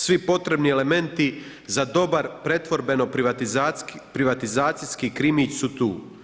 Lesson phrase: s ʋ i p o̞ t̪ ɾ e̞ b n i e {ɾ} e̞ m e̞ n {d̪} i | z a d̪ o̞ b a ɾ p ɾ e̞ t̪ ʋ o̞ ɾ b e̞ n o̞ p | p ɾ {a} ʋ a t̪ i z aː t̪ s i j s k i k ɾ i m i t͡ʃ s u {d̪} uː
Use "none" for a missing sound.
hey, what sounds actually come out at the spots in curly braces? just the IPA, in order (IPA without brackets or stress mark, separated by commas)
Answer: l, t̪, i, t̪